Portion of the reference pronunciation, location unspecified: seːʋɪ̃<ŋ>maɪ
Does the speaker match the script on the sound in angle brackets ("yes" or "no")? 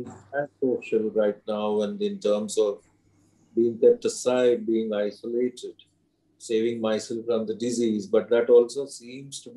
yes